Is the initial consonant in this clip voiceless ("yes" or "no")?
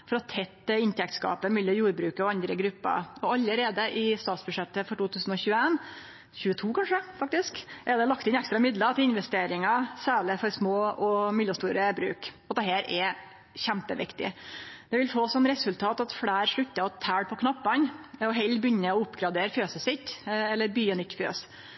yes